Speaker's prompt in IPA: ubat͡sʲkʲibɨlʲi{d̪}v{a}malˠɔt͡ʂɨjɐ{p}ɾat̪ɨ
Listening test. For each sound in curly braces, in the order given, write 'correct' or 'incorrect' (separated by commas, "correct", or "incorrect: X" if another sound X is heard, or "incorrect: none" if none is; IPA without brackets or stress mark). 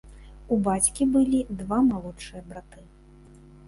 correct, correct, incorrect: b